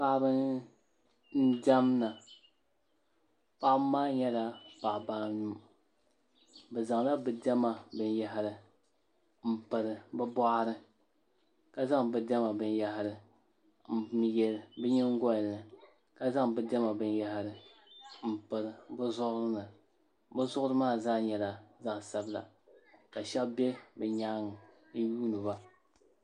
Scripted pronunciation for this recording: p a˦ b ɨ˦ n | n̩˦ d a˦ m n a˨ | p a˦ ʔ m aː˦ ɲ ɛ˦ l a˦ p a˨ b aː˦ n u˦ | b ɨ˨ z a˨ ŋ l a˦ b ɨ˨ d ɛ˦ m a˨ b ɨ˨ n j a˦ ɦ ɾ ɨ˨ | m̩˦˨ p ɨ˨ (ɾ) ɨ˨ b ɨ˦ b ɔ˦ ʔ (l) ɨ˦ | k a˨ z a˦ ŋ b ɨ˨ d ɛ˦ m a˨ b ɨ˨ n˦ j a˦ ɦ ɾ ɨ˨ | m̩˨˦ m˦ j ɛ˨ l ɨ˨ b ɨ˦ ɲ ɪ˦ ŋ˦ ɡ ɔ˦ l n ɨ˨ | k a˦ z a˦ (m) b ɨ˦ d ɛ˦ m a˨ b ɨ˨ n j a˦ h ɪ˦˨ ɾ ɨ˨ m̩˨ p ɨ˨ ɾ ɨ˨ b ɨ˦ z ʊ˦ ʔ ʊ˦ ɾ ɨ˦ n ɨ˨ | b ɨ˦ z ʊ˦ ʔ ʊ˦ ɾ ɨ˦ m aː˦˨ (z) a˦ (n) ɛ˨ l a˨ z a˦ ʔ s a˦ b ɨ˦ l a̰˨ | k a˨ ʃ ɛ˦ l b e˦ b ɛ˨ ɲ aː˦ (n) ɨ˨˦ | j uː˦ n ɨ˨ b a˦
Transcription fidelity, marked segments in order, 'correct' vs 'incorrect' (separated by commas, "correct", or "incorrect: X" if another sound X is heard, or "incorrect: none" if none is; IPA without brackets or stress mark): correct, incorrect: ɾ, incorrect: ŋ, correct, incorrect: ɲ, incorrect: ŋ